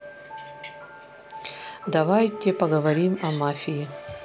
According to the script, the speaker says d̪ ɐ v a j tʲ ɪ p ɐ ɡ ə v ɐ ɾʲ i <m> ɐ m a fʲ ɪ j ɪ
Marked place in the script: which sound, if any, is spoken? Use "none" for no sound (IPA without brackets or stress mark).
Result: m